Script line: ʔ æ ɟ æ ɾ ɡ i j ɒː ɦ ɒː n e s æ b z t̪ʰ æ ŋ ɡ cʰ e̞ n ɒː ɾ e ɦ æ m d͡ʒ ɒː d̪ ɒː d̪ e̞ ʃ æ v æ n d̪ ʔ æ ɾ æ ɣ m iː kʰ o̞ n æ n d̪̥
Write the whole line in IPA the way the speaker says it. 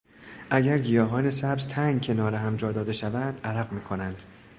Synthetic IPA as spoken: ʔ æ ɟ æ ɾ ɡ i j ɒː ɦ ɒː n e s æ b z t̪ʰ æ ŋ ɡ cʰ e̞ n ɒː ɾ e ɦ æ m d͡ʒ ɒː d̪ ɒː d̪ e̞ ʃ æ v æ n d̪ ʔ æ ɾ æ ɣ m iː kʰ o̞ n æ n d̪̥